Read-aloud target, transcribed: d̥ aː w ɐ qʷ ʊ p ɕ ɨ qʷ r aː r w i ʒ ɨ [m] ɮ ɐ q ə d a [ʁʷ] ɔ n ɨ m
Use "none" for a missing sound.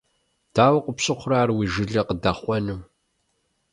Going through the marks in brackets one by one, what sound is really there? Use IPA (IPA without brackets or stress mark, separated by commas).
none, χʷ